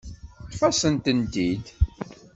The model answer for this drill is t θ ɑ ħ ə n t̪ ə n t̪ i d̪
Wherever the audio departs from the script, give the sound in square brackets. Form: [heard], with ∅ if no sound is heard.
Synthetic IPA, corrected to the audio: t [f] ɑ [s] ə n t̪ ə n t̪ i d̪